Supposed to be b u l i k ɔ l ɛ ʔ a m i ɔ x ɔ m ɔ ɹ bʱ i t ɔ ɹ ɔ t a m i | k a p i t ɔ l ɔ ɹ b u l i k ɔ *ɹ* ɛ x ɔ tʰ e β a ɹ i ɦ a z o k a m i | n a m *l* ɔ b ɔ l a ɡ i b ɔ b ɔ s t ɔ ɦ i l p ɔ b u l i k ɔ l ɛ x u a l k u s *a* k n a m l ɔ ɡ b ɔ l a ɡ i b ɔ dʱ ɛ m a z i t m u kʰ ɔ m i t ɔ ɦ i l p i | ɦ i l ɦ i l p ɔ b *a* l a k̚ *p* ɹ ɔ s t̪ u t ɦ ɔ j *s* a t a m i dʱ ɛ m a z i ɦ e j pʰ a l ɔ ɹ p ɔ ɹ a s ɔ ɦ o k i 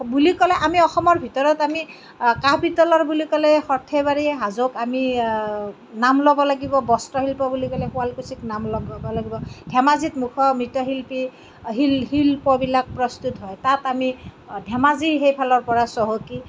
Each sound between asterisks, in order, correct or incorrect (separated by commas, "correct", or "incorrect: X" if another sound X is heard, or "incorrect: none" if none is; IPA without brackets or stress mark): incorrect: l, correct, incorrect: i, incorrect: i, correct, incorrect: t